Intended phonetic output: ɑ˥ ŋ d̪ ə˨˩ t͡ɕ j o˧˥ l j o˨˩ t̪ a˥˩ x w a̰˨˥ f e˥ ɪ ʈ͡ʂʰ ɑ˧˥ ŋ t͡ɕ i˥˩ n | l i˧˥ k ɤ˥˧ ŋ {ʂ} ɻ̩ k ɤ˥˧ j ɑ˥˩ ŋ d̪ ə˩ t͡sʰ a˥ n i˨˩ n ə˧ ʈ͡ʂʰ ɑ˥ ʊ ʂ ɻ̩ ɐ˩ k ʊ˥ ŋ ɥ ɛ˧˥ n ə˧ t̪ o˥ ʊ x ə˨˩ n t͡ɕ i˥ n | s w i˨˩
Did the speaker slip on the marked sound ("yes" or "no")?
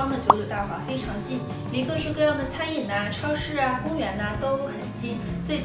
no